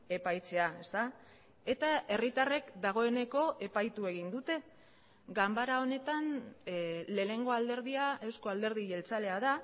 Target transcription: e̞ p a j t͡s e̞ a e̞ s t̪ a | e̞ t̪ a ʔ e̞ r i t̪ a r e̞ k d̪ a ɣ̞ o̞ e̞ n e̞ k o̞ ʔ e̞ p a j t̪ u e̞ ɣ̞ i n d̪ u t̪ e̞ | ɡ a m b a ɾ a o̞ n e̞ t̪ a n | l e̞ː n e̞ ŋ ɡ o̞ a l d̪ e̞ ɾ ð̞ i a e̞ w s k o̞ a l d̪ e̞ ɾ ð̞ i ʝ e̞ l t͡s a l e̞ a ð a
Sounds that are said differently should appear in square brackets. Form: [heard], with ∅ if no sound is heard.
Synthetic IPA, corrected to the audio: e̞ p a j t͡s e̞ a e̞ s t̪ a | e̞ t̪ a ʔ e̞ r i t̪ a r e̞ k d̪ a ɣ̞ o̞ e̞ n e̞ k o̞ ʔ e̞ p a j t̪ u e̞ ɣ̞ i n d̪ u t̪ e̞ | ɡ a m b a ɾ a o̞ n e̞ t̪ a n | l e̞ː n e̞ ŋ ɡ o̞ a l d̪ e̞ ɾ ð̞ i a e̞ w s k o̞ a l d̪ e̞ ɾ ð̞ i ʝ e̞ l t͡s a l e̞ a ð a